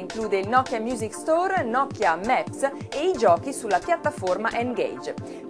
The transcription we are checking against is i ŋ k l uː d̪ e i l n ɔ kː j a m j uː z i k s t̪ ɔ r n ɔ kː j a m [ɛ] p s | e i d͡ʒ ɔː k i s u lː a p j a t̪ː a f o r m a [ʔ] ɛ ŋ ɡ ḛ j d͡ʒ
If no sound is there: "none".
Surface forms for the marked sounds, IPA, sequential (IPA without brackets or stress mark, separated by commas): ɛ, ʔ